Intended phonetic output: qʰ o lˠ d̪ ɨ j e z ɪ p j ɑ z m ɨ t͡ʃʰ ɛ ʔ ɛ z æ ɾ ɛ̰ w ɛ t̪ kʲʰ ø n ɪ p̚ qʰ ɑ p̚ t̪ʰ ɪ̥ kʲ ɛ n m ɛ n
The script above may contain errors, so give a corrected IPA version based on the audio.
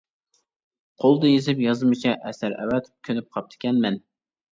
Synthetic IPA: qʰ o lˠ d̪ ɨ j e z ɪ p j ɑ z m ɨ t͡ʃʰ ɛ ʔ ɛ s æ ɾ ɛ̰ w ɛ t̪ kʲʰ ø n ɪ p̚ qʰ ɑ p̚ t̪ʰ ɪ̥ kʲ ɛ n m ɛ n